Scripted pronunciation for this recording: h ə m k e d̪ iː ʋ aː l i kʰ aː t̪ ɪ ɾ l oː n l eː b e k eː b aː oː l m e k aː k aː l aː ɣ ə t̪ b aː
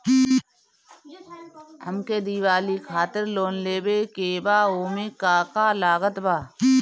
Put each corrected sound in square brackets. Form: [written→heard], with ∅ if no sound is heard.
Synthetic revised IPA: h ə m k e d̪ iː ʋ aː l i kʰ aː t̪ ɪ ɾ l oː n l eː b e k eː b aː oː [l→∅] m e k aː k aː l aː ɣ ə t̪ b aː